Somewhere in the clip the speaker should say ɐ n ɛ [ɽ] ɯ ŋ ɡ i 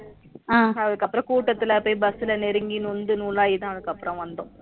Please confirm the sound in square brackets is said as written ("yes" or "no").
no